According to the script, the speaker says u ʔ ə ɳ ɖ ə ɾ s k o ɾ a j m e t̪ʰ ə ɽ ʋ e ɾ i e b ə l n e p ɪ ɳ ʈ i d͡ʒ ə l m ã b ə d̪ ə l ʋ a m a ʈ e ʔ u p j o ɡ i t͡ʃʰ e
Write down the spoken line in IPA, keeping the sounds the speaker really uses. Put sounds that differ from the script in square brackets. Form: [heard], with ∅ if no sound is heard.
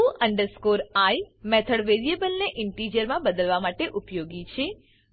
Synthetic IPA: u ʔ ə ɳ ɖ ə ɾ s k o ɾ a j m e t̪ʰ ə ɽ ʋ e ɾ i e b ə l n e [ʔ] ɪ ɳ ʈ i d͡ʒ ə [ɾ] m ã b ə d̪ ə l ʋ a m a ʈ e ʔ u p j o ɡ i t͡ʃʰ e